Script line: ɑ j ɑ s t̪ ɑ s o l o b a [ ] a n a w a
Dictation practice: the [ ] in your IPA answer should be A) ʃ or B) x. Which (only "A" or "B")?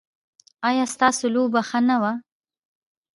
B